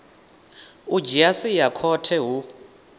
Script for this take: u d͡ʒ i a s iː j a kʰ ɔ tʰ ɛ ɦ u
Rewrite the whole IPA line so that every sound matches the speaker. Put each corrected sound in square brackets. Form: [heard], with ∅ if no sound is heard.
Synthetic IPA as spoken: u d͡ʒ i a s [i] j a kʰ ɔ tʰ ɛ ɦ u